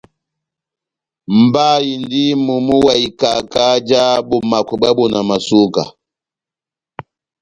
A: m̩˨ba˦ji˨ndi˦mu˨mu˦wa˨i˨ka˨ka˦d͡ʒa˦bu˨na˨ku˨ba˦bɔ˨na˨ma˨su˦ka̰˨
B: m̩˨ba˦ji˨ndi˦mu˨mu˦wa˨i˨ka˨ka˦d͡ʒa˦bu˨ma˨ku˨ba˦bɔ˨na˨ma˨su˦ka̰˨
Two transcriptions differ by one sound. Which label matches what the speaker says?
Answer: B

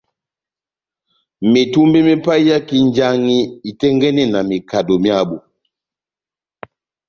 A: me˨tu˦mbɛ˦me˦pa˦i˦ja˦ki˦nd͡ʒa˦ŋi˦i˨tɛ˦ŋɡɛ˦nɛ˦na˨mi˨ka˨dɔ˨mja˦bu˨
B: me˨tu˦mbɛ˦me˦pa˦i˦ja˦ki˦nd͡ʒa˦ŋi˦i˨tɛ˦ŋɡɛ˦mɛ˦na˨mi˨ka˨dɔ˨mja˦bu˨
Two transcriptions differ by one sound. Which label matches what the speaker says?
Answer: A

